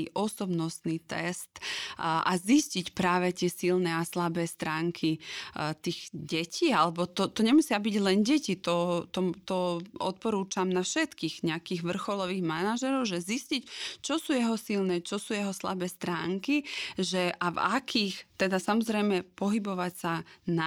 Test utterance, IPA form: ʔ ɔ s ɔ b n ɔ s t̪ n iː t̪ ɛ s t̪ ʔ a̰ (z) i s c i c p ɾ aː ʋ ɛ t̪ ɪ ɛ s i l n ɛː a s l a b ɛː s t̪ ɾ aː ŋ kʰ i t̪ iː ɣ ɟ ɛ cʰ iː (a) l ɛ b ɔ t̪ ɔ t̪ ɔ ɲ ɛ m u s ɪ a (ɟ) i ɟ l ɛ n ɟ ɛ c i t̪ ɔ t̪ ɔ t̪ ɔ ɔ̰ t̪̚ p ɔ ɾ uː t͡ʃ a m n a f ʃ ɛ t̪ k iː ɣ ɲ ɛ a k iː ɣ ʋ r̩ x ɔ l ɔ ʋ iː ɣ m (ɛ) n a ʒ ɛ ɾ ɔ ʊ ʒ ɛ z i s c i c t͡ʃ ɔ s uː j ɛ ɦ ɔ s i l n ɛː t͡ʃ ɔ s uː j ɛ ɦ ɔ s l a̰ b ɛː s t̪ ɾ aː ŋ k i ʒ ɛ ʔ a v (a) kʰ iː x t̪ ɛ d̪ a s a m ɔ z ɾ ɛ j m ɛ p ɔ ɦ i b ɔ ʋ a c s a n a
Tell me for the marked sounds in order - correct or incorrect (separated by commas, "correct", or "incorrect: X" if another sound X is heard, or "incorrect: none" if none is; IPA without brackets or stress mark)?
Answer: correct, correct, incorrect: b, incorrect: a, correct